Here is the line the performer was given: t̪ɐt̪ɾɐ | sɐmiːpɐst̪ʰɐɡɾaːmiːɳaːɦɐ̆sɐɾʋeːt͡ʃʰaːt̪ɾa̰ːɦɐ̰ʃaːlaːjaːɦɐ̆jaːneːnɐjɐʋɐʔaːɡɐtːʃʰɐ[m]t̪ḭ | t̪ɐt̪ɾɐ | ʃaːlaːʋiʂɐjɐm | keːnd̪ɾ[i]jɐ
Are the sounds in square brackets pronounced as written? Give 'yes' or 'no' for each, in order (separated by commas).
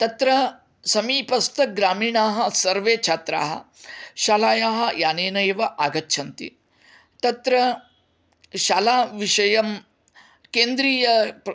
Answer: no, no